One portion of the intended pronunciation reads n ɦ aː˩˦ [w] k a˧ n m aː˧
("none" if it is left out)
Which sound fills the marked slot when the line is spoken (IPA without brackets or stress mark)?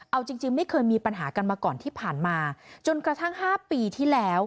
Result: none